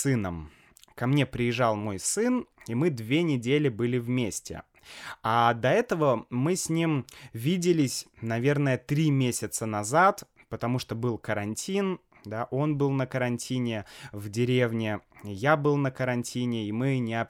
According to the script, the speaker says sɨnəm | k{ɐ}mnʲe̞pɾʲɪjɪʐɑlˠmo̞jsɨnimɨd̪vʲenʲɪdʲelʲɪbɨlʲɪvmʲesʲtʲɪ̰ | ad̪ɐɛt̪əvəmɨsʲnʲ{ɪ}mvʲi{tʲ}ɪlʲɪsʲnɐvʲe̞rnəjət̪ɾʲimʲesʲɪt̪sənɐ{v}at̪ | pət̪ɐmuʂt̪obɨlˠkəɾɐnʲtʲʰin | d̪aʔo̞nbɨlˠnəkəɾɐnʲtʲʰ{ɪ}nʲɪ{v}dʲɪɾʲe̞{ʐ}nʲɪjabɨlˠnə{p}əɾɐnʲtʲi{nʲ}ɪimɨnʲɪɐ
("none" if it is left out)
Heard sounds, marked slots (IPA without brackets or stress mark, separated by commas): ɐ, i, dʲ, z, i, v, v, k, nʲ